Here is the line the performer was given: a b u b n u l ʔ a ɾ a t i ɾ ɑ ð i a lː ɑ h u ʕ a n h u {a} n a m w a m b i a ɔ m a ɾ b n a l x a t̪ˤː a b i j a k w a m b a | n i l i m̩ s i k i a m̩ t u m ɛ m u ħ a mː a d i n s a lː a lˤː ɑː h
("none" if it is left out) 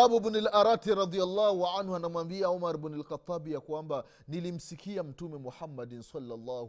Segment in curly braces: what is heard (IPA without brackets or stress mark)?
a